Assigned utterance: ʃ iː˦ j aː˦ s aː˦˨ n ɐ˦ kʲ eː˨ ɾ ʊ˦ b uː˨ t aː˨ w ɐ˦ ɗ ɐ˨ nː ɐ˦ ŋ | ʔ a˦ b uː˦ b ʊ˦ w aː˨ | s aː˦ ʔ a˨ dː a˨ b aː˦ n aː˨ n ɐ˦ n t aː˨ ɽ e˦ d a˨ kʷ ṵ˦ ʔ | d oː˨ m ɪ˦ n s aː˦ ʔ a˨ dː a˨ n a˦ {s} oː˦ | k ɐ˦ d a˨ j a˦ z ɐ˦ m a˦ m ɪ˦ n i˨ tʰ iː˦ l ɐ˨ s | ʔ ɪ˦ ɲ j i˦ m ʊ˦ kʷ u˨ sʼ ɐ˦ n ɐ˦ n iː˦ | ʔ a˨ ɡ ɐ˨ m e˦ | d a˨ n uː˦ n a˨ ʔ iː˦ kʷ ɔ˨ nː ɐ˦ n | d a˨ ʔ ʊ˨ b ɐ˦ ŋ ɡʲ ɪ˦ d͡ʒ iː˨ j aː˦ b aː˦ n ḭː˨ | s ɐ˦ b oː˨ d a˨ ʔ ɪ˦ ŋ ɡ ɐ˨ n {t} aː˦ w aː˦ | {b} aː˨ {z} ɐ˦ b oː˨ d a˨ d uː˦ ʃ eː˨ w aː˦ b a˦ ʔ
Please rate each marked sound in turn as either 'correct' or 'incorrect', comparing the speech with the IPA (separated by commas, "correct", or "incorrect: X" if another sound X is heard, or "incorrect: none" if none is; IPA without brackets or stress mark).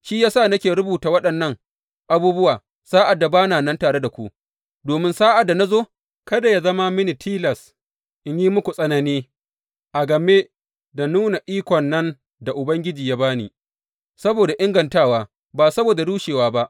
incorrect: z, correct, correct, incorrect: s